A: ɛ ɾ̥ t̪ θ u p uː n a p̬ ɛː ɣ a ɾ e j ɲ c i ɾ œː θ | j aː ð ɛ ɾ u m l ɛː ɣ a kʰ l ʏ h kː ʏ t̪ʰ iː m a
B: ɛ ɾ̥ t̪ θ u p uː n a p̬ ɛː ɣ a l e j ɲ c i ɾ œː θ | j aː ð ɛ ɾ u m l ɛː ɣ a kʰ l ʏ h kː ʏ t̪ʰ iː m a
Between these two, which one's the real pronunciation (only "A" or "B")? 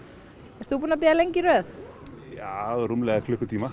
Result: B